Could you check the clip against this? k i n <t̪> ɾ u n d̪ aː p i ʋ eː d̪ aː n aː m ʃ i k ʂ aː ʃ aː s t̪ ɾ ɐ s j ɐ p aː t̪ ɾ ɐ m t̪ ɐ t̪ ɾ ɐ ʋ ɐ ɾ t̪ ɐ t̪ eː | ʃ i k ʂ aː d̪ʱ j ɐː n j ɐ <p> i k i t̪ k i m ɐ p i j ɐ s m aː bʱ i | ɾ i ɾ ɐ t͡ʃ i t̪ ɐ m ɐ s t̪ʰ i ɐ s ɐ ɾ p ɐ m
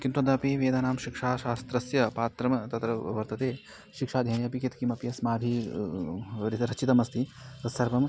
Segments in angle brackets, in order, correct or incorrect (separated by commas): correct, correct